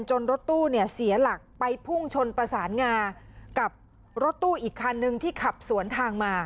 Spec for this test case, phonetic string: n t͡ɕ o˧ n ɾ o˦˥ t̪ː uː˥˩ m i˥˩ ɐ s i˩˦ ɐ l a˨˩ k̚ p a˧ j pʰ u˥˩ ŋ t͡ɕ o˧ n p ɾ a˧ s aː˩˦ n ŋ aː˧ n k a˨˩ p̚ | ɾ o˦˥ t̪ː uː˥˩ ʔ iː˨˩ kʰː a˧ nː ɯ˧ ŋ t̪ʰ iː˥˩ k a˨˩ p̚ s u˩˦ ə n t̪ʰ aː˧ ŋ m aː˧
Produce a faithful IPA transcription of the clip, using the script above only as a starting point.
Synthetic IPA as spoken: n t͡ɕ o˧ n ɾ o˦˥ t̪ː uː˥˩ n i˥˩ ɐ s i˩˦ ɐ l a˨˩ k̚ p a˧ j pʰ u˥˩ ŋ t͡ɕʰ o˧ n p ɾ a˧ s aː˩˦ n ŋ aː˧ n k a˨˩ p̚ | ɾ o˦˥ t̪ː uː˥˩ ʔ iː˨˩ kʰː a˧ nː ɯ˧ ŋ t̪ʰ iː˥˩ kʰ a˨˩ p̚ s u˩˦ ə n t̪ʰ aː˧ ŋ m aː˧